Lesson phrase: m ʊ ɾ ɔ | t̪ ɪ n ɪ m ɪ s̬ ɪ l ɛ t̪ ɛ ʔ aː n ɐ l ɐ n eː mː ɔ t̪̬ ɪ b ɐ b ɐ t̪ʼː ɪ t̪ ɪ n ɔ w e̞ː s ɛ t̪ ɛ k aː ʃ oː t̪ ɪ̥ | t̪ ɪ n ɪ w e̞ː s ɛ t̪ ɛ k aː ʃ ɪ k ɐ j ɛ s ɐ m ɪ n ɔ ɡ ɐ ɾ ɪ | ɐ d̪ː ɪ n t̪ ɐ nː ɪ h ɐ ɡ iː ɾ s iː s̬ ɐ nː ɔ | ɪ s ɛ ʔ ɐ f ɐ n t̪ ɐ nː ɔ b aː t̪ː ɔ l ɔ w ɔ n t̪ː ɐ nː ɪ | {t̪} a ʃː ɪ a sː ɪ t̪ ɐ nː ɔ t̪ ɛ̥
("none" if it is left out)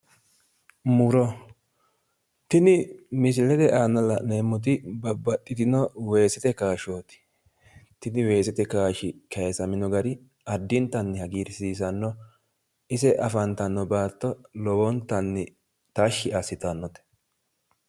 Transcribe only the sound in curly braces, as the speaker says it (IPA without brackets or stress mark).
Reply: t̪